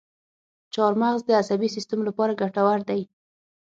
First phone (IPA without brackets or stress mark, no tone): t͡ʃ